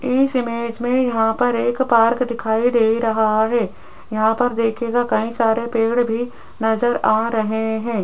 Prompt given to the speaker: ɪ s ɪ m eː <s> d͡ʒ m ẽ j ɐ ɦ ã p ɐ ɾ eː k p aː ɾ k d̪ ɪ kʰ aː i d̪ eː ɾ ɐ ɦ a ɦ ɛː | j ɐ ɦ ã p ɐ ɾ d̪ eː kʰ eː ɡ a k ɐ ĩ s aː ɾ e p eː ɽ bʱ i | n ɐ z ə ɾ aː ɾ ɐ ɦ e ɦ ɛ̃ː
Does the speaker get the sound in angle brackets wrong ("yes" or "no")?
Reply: yes